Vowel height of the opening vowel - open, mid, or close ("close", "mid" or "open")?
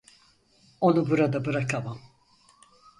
mid